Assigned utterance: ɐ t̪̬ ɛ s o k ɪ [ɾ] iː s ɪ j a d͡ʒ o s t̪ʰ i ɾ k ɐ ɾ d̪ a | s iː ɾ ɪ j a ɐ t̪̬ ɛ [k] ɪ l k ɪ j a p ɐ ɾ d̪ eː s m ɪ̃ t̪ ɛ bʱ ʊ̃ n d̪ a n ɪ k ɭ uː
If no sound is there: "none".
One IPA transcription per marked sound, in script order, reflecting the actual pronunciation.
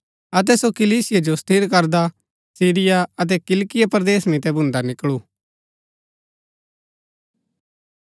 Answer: l, k

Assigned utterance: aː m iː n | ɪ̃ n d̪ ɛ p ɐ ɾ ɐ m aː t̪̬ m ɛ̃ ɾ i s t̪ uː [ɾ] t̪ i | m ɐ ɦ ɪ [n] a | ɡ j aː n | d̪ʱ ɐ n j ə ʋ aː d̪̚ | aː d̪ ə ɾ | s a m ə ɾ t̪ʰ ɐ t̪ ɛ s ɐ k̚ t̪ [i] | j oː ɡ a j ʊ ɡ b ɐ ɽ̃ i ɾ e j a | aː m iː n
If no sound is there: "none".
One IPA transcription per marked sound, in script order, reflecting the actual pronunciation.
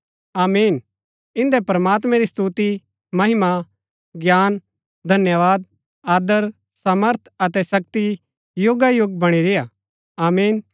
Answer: none, m, i

